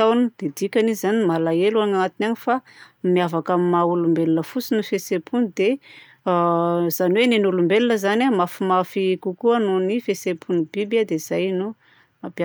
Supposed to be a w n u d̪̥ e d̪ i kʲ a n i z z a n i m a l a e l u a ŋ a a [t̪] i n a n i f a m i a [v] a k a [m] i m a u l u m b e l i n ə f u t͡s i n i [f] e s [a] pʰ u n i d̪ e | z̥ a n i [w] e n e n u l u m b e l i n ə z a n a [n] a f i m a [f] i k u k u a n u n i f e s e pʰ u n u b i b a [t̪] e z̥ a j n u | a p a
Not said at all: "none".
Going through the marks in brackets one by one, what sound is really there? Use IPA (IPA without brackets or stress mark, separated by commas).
t̪, v, m, f, e, w, m, f, d̪